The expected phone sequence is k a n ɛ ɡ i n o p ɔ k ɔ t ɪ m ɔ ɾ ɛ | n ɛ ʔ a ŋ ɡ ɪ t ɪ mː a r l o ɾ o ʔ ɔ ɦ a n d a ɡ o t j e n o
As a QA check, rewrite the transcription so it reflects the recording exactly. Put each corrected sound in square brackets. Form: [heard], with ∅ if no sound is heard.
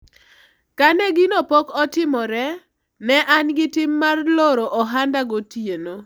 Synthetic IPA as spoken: k a n ɛ ɡ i n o p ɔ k ɔ t ɪ m ɔ ɾ ɛ | n ɛ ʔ a [n] ɡ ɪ t ɪ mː a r l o ɾ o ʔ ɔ ɦ a n d a ɡ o t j e n o

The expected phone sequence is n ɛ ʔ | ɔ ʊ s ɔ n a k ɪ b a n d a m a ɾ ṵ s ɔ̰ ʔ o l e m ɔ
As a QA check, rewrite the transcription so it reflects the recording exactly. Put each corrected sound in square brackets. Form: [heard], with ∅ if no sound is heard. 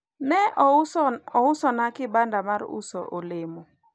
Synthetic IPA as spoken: n ɛ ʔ | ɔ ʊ s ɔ n a k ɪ b a n d a m a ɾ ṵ s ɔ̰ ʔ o l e m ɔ

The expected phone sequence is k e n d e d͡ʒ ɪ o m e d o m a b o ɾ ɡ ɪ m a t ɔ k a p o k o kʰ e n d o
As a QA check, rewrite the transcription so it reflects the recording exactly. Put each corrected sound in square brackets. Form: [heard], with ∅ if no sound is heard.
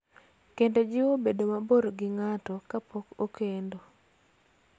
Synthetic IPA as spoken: k e n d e d͡ʒ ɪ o [b] e d o m a b o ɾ ɡ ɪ [ŋ] a t ɔ k a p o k o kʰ e n d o

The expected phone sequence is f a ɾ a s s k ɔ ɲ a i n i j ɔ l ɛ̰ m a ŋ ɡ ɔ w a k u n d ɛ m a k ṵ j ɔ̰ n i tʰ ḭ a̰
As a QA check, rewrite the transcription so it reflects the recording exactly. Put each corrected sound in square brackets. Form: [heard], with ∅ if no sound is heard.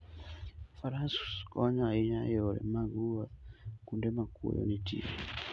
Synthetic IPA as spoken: f a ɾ a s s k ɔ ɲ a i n [a] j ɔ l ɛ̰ m a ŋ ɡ [u] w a k u n d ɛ m a k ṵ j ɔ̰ n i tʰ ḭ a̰

